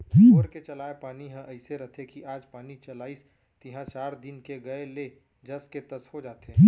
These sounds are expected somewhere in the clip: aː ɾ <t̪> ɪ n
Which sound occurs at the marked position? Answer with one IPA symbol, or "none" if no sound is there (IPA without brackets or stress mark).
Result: d̪